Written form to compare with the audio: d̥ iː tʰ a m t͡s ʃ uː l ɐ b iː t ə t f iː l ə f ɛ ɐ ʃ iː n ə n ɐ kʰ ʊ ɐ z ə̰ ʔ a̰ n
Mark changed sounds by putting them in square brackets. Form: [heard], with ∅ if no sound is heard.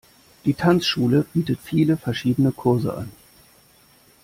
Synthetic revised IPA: d̥ iː tʰ a [n] t͡s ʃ uː l [ə] b iː t ə t f iː l ə f ɛ ɐ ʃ iː [d] ə n [ə] kʰ ʊ ɐ z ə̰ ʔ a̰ n